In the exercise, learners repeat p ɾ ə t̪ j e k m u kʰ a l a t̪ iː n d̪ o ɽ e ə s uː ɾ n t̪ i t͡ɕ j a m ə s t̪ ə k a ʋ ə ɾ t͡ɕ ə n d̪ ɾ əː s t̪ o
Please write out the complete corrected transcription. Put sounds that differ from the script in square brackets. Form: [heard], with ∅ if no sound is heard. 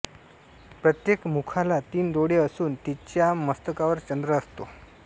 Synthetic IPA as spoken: p ɾ ə t̪ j e k m u kʰ a l a t̪ iː n d̪ o ɽ e ə s uː [∅] n t̪ i t͡ɕ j a m ə s t̪ ə k a ʋ ə ɾ t͡ɕ ə n d̪ ɾ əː s t̪ o